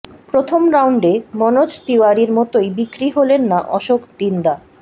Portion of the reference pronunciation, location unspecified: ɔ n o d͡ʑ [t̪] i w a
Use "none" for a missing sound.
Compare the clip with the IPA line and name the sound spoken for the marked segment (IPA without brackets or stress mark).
t̪